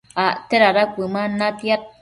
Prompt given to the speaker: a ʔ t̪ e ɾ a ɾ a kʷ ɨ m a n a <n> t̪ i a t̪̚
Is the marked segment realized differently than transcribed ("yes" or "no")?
yes